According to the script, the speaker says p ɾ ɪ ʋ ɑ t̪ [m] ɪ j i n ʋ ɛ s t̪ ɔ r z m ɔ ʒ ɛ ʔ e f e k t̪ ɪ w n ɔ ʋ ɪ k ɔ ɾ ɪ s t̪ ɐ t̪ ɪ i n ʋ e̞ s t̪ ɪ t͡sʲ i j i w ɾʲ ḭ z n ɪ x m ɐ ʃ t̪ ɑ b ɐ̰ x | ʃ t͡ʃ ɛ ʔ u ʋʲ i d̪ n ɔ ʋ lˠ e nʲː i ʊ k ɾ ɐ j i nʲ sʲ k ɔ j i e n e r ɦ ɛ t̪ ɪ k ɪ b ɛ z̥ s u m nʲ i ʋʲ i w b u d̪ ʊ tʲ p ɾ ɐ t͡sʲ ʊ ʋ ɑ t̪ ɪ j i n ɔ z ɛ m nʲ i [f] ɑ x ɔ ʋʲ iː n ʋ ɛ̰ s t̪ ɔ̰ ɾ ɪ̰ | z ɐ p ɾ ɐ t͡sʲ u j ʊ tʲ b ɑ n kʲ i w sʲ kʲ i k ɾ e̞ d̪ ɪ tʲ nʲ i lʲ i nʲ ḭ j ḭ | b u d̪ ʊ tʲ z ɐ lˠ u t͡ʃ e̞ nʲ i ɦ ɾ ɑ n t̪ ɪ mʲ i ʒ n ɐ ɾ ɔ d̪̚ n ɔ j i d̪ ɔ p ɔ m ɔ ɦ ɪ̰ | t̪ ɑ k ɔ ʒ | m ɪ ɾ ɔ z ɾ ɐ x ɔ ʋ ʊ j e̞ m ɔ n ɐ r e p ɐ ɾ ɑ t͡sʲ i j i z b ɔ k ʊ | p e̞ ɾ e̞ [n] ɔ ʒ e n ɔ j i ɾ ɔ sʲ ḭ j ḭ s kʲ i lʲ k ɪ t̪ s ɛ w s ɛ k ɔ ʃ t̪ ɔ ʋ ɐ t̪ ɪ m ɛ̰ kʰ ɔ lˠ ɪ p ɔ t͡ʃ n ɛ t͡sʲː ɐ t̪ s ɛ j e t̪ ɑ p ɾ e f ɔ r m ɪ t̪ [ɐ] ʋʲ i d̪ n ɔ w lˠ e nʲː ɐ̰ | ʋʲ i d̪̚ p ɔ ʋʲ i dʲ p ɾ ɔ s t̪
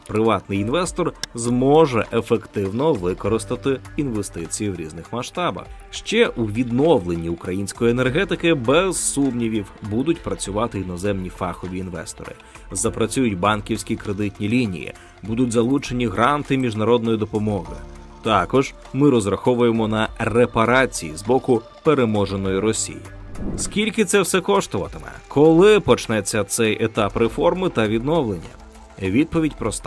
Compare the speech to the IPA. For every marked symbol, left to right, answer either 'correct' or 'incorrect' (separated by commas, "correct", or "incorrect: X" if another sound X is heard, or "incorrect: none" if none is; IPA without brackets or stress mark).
incorrect: n, correct, incorrect: m, correct